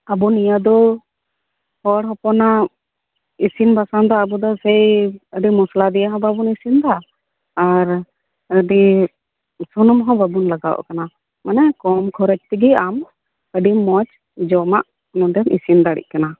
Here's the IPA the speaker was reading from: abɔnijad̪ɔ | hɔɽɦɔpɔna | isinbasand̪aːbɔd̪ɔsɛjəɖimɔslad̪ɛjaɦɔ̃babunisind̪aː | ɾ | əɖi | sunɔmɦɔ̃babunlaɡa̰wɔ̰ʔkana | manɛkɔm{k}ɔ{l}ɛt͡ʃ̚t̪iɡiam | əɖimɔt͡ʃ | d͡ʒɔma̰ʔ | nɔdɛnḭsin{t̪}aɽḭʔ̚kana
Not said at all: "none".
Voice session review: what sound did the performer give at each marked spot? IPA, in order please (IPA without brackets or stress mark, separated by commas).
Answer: kʰ, ɾ, d̪